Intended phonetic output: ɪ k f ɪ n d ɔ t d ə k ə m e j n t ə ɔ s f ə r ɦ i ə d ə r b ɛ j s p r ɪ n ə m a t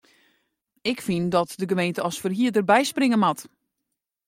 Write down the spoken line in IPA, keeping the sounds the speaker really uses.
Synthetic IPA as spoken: ɪ k f i n d ɔ t d ə ɡ ə m e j n t ə ɔ s f ə r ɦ i ə d ə r b ɛ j s p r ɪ ŋ ə m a t